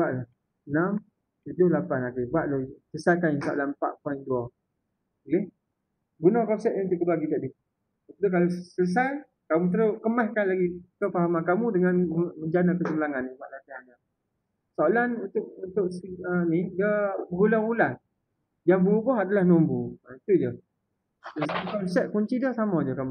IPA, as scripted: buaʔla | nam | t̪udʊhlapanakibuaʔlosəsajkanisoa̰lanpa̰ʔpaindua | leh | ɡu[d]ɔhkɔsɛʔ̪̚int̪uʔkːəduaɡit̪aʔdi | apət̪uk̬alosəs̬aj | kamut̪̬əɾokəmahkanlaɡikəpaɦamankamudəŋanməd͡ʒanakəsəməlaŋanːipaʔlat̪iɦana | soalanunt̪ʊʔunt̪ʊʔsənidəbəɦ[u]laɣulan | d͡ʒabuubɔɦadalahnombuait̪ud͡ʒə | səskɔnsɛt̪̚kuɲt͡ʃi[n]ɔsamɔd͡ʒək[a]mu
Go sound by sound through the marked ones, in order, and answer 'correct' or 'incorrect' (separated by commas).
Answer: incorrect, correct, incorrect, correct